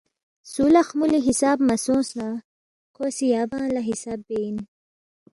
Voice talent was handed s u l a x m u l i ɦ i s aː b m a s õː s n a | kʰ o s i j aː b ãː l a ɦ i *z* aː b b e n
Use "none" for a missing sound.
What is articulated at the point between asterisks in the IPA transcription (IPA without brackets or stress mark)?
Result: s